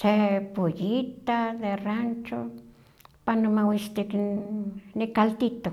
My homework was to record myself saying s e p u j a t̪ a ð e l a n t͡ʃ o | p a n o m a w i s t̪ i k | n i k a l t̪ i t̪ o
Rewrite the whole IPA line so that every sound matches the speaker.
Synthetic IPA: s e p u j i t̪ a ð e r a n t͡ʃ o | p a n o m a w i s t̪ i k | n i k a l t̪ i t̪ o